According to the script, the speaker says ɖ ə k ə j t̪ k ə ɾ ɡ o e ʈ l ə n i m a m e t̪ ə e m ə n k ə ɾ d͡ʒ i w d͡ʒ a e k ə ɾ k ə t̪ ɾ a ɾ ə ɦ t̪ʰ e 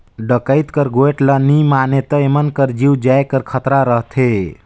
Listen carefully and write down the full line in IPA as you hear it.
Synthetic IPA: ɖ ə k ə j t̪ k ə ɾ ɡ o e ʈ l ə n i m a n e t̪ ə e m ə n k ə ɾ d͡ʒ i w d͡ʒ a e k ə ɾ kʰ ə t̪ ɾ a ɾ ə ɦ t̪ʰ e